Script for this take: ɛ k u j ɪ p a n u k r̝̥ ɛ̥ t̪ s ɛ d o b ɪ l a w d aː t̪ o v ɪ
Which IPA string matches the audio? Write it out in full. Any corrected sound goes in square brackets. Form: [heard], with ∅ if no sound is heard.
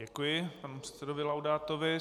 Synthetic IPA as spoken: ɛ k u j ɪ p a n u [p] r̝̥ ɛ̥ t̪ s ɛ d o [v] ɪ l a w d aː t̪ o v ɪ